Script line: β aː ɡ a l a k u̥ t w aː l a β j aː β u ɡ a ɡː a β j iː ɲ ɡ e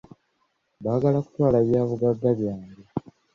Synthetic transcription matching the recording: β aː ɡ a l a k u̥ t w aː l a β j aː β u ɡ a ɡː a β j aː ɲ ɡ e